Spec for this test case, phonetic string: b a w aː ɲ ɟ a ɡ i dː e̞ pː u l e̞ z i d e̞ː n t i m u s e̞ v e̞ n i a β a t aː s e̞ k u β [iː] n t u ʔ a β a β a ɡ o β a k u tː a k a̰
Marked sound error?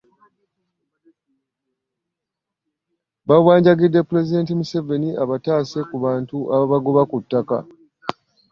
yes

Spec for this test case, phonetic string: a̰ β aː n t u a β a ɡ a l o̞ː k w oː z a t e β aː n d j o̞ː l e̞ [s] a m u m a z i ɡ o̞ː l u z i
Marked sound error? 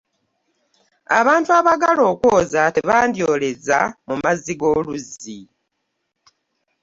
yes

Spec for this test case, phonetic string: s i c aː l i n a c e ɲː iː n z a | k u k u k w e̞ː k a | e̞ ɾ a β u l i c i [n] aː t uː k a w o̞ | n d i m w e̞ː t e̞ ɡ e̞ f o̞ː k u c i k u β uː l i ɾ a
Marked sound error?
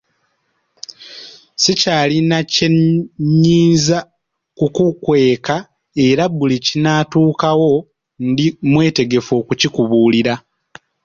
no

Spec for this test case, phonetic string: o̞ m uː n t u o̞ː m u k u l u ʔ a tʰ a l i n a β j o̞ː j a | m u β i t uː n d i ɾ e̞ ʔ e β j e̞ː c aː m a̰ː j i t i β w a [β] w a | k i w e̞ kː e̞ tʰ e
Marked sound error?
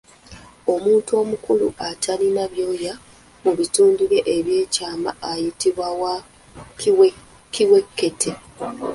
yes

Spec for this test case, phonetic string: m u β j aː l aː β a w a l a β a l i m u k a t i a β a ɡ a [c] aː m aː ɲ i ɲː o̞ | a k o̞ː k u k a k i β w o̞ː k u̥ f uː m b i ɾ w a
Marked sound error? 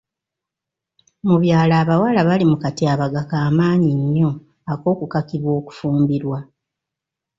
yes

